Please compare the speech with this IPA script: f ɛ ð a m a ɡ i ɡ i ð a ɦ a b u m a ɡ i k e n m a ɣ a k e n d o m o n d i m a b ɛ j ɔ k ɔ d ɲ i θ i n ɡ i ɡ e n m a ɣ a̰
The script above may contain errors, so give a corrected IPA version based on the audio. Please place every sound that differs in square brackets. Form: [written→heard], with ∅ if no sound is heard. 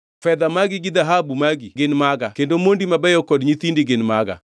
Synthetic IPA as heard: f ɛ ð a m a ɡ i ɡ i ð a ɦ a b u m a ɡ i [k→ɡ] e n m a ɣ a k e n d o m o n d i m a b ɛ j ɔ k ɔ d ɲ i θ i n [ɡ→d] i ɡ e n m a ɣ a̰